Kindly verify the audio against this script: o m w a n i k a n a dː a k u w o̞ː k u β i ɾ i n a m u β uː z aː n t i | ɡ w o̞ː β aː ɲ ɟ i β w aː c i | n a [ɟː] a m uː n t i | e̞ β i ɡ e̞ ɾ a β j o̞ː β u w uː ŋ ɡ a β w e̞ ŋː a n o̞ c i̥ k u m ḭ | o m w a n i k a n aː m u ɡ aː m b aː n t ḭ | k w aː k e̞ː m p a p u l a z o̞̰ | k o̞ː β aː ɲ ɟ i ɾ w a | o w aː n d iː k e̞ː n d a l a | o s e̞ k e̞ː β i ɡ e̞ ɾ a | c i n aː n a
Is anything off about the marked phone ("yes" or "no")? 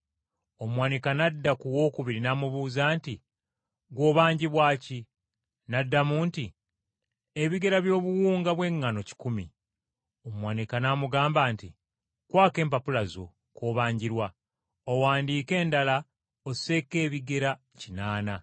yes